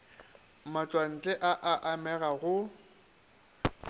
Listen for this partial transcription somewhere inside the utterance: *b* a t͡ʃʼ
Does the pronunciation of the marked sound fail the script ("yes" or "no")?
yes